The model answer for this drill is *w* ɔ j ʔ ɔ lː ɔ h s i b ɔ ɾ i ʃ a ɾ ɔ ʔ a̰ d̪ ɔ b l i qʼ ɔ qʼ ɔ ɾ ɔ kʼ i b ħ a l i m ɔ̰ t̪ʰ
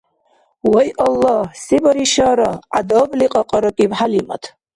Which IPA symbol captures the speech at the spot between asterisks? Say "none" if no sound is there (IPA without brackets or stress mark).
w